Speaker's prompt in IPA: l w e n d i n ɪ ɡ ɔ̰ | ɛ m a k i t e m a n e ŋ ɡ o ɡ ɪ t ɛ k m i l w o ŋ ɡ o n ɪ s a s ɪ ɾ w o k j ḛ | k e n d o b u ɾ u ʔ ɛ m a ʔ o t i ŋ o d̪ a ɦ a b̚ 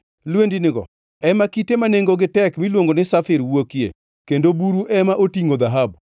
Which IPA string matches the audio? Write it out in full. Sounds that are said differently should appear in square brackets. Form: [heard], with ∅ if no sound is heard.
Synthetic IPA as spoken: l w e n d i n ɪ ɡ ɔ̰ | ɛ m a k i t e m a n e ŋ ɡ o ɡ ɪ t ɛ k m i l w o ŋ ɡ o n ɪ s a [f] ɪ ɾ w o k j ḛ | k e n d o b u ɾ u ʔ ɛ m a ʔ o t i ŋ o d̪ a ɦ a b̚